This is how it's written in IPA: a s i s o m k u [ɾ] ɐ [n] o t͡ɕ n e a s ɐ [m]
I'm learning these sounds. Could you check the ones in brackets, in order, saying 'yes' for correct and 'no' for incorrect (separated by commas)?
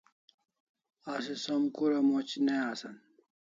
yes, no, no